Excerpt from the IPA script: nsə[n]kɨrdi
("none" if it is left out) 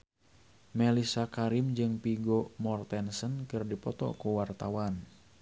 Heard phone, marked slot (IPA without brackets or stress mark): n